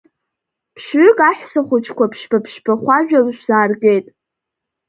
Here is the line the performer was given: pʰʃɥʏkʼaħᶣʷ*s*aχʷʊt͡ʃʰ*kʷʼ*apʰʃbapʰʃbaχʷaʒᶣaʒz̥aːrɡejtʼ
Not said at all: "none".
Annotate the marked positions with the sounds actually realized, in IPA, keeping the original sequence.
s, kʷ

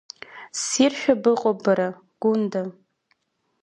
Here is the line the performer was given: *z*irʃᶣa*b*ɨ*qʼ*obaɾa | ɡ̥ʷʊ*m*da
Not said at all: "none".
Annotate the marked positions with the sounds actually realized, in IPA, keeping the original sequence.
s, b, qʼ, n

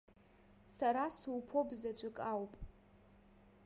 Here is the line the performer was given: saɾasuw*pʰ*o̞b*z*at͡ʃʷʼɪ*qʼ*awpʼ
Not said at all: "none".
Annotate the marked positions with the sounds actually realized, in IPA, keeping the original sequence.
pʰ, z, kʼ

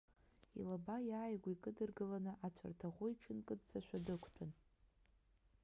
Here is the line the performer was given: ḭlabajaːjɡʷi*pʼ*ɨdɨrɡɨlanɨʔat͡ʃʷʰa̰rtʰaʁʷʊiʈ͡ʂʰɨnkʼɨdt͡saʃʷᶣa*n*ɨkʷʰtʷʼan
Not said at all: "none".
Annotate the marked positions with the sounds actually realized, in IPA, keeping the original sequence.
kʼ, d

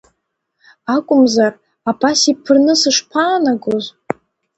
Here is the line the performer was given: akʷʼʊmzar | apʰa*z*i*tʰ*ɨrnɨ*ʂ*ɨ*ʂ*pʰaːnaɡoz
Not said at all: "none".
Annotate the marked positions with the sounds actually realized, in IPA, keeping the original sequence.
s, pʰ, s, ʂ

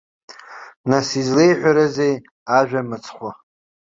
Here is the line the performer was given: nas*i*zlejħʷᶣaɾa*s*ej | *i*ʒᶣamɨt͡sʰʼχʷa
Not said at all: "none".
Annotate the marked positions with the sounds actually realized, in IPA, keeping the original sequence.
i, z, a

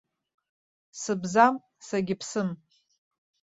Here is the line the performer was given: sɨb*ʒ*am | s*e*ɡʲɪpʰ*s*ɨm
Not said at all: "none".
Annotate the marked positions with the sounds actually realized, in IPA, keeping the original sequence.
z, a, s

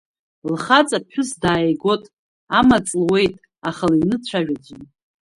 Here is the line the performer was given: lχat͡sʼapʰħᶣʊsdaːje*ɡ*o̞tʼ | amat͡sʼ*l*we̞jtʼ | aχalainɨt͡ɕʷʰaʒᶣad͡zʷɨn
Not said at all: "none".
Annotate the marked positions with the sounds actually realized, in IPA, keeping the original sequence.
ɡ, l

